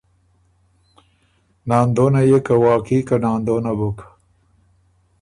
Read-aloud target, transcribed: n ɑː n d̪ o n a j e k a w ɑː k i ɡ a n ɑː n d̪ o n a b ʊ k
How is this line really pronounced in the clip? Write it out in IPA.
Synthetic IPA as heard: n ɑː n d̪ o n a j e k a w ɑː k i k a n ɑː n d̪ o n a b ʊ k